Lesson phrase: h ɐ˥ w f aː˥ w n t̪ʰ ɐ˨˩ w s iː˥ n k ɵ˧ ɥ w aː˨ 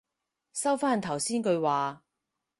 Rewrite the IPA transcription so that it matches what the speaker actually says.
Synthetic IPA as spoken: s ɐ˥ w f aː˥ n t̪ʰ ɐ˨˩ w s iː˥ n k ɵ˧ ɥ w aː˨